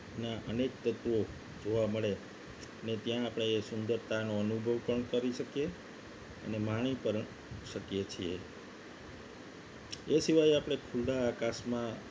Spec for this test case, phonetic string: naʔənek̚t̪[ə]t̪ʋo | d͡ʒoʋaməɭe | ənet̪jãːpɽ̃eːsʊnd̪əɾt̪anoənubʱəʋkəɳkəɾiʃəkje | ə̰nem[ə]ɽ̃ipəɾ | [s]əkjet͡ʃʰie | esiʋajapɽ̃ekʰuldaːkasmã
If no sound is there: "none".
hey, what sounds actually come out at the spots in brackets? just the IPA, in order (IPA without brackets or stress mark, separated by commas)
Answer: ə, a, ʃ